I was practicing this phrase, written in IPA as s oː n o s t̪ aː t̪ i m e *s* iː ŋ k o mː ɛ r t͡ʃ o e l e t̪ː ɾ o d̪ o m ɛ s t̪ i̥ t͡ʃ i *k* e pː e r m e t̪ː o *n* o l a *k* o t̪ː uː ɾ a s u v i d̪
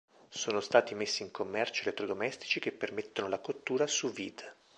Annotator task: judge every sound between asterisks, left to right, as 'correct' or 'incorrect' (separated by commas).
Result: incorrect, correct, correct, correct